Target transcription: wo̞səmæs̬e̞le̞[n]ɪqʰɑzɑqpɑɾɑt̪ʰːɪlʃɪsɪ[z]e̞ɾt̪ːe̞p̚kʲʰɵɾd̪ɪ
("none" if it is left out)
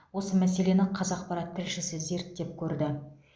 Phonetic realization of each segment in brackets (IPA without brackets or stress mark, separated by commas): n, z